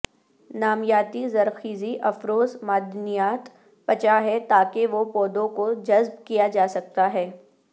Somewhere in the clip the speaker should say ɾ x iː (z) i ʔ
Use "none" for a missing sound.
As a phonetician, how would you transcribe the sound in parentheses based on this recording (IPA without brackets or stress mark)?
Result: z